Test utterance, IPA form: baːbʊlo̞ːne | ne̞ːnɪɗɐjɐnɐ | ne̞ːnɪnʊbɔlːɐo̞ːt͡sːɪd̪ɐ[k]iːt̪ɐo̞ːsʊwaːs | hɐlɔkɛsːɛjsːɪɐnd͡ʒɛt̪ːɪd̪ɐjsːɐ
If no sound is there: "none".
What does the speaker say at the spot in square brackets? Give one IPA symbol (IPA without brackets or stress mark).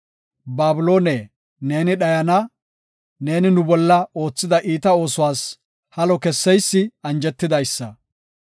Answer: ʔ